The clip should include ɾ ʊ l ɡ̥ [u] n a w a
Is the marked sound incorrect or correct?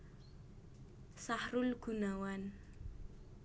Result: correct